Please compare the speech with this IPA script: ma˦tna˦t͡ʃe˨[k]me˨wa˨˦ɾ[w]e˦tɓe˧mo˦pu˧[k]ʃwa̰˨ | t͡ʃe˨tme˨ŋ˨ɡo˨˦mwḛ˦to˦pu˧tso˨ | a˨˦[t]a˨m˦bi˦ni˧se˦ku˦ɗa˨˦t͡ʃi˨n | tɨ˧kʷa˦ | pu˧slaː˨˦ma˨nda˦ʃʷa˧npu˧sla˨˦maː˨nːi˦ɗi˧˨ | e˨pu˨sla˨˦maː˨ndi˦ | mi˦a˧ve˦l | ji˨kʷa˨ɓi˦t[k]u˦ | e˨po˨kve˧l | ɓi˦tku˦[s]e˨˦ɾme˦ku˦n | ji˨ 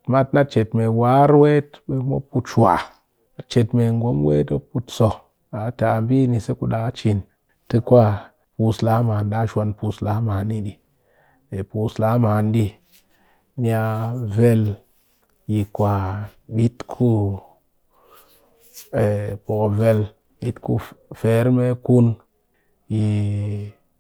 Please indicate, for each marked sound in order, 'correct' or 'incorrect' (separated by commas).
incorrect, correct, incorrect, correct, incorrect, incorrect